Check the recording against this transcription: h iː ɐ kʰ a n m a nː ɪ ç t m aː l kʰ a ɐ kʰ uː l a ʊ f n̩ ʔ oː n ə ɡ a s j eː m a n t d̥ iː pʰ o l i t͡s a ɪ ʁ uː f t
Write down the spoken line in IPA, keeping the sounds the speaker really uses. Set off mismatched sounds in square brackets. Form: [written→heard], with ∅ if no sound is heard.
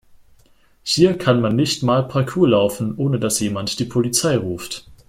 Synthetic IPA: h iː ɐ kʰ a n m a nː ɪ ç t m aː l [kʰ→pʰ] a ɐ kʰ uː l a ʊ f n̩ ʔ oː n ə [ɡ→d] a s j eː m a n t d̥ iː pʰ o l i t͡s a ɪ ʁ uː f t